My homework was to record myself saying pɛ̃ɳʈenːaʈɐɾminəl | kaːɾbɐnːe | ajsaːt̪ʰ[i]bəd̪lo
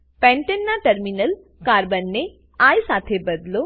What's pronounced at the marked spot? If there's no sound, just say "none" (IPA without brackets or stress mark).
e